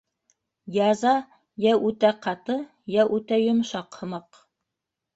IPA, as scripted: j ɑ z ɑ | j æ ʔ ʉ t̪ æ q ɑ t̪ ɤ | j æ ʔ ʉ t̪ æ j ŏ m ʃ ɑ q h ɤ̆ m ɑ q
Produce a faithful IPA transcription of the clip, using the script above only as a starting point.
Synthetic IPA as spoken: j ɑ z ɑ | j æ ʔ ʉ t̪ æ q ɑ t̪ ɤ | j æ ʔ ʉ t̪ æ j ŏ m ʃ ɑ q h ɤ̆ m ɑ q